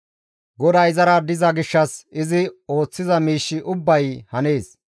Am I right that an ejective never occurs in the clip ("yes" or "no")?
yes